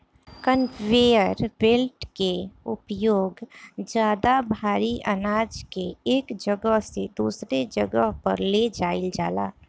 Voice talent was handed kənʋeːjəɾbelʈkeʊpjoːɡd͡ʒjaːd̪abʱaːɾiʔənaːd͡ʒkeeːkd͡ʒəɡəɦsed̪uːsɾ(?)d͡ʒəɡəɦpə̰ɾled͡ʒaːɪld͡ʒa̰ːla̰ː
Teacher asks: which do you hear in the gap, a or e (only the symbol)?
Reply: e